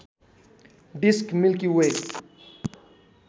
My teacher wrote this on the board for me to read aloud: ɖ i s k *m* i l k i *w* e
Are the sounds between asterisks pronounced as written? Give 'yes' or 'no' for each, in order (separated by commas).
yes, yes